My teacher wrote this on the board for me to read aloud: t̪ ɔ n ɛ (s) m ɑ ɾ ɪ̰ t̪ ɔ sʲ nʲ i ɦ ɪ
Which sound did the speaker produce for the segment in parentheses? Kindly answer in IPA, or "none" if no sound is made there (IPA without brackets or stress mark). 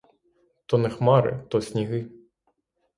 x